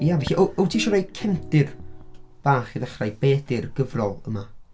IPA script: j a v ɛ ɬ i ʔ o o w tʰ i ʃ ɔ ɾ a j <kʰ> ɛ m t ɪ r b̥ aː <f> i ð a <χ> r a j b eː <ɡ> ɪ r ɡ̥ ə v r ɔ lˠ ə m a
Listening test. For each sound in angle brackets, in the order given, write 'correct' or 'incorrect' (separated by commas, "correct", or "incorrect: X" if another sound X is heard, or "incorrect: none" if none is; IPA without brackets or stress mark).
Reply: correct, incorrect: χ, correct, incorrect: d